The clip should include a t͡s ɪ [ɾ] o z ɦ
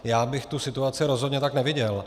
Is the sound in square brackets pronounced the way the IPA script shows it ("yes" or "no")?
yes